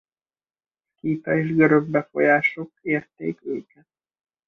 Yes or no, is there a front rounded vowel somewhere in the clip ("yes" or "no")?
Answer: yes